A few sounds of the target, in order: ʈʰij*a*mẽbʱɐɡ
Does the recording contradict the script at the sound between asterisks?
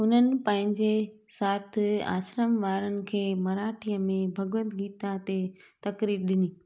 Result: yes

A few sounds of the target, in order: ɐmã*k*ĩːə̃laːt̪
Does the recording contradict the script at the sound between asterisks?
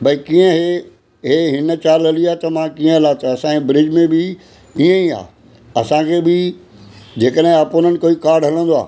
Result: no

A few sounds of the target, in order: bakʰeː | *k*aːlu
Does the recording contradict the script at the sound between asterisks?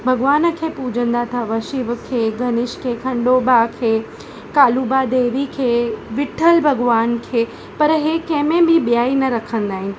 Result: no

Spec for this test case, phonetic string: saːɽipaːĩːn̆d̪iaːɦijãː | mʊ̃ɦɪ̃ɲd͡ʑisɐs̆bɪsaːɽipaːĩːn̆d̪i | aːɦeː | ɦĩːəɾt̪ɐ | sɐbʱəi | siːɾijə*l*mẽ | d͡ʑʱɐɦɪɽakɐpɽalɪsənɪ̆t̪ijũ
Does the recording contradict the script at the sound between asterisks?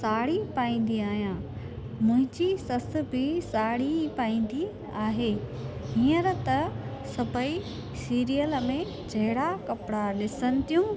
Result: no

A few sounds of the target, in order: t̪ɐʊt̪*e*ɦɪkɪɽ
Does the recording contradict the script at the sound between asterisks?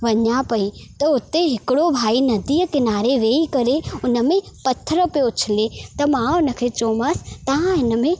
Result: no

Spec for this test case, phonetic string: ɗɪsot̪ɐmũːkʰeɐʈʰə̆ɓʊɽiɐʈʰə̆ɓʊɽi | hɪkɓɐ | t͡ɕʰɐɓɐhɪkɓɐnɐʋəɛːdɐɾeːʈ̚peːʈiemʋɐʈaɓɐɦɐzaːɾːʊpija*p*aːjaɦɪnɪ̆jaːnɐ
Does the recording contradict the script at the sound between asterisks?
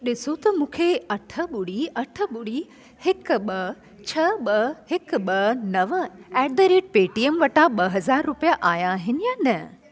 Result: yes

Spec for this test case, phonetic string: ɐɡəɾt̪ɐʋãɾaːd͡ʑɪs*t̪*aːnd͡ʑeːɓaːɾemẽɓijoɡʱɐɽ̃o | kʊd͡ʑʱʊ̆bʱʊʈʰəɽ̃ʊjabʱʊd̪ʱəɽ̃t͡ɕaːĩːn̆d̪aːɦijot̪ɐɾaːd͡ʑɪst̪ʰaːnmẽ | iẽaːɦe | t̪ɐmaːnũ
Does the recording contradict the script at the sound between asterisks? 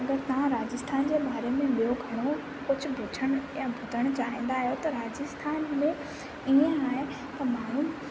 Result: yes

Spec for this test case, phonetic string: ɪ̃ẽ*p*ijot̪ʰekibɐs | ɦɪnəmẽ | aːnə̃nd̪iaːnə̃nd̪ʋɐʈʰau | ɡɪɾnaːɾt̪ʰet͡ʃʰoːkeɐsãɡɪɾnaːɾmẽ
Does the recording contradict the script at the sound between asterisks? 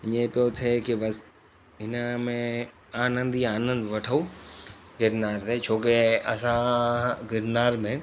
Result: no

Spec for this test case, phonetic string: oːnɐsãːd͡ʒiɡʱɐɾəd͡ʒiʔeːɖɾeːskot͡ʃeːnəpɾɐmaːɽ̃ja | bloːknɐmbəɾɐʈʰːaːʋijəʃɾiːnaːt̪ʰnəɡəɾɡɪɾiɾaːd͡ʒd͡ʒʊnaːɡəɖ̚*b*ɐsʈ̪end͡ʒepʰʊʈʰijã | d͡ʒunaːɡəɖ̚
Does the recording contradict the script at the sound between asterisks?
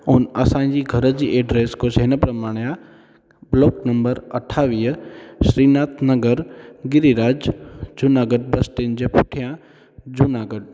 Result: no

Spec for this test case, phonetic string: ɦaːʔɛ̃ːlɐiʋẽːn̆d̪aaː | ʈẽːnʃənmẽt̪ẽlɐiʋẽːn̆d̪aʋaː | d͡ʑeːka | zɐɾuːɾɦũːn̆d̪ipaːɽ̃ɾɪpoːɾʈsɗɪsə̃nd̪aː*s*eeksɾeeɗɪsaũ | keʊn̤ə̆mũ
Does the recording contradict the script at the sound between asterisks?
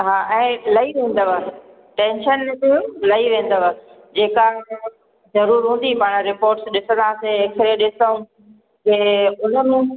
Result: no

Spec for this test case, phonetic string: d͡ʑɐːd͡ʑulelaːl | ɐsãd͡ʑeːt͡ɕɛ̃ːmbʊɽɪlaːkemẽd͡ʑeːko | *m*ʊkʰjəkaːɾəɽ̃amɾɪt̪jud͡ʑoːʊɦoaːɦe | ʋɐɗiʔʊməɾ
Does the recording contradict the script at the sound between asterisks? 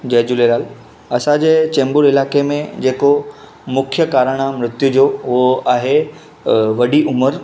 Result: no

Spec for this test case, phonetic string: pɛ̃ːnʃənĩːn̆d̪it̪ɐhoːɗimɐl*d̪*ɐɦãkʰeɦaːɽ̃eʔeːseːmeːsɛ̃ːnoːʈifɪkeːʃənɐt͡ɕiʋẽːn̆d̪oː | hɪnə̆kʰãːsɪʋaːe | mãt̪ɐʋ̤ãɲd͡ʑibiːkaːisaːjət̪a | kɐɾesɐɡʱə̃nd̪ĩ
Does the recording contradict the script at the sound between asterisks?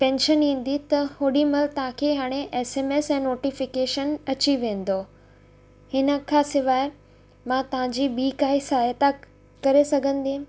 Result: yes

